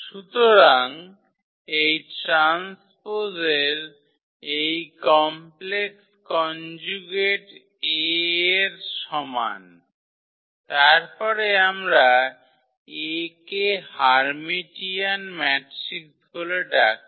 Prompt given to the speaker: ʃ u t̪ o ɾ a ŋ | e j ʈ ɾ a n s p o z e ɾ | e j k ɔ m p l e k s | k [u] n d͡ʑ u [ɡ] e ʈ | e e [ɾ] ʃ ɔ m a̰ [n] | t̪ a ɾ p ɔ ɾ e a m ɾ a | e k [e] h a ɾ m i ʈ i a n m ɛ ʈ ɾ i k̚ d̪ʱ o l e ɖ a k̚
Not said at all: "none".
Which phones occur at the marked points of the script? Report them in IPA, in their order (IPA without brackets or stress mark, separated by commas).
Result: ɔ, ɡ, ɾ, n, e